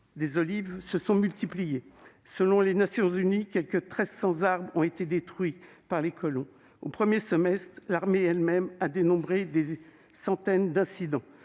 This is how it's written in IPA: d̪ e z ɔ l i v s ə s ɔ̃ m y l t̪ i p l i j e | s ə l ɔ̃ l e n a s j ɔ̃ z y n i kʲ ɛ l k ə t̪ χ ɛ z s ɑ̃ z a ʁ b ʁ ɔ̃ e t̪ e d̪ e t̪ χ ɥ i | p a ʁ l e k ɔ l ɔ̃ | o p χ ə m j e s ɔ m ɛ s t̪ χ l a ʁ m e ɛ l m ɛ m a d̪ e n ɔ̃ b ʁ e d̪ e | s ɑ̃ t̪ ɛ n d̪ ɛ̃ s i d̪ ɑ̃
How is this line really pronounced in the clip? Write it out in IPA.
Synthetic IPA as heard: d̪ e z ɔ l i v s ə s ɔ̃ m y l t̪ i p l i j e | s ə l ɔ̃ l e n a s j ɔ̃ z y n i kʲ ɛ l k ə t̪ χ ɛ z s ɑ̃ z a ʁ b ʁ ɔ̃ e t̪ e d̪ e t̪ χ ɥ i | p a ʁ l e k ɔ l ɔ̃ | o p χ ə m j e s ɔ m ɛ s t̪ χ l a ʁ m e ɛ l m ɛ m a d̪ e n ɔ̃ b ʁ e d̪ e | s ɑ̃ t̪ ɛ n d̪ ɛ̃ s i d̪ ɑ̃